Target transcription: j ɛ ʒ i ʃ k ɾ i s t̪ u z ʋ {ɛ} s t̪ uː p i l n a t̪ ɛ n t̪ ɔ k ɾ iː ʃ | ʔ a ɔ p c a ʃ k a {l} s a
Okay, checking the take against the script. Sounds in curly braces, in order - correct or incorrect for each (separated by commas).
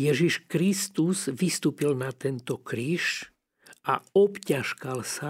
incorrect, correct